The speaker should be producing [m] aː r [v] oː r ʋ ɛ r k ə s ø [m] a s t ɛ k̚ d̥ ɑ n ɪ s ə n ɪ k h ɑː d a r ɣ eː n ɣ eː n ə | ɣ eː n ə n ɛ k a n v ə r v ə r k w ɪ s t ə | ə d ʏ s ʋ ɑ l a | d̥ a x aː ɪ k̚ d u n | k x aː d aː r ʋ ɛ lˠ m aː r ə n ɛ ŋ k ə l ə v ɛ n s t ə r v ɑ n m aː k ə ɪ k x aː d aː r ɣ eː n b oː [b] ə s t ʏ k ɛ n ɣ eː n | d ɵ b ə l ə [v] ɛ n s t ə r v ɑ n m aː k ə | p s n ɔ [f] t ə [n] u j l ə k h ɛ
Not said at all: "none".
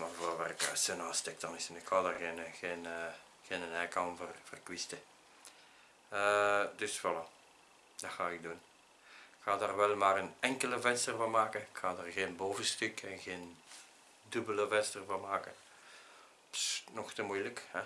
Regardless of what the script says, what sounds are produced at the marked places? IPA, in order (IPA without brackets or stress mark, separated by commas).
m, v, n, v, v, x, m